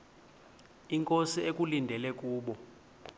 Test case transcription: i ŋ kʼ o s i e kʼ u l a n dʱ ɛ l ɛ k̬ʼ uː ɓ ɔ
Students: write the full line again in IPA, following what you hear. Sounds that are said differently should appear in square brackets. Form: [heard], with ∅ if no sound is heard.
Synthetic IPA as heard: i ŋ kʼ o s i e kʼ u l [i] n dʱ ɛ l ɛ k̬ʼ uː ɓ ɔ